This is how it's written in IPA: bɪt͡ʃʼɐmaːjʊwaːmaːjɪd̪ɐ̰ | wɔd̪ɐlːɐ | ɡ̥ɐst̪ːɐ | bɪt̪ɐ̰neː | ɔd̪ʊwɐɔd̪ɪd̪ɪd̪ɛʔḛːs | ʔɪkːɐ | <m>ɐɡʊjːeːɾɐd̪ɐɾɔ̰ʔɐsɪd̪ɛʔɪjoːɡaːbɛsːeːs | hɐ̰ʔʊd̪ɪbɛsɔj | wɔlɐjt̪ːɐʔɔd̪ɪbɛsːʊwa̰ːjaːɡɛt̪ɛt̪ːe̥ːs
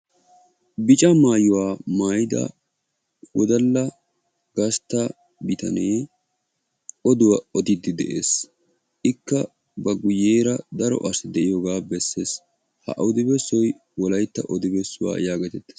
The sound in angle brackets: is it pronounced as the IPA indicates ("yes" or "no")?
no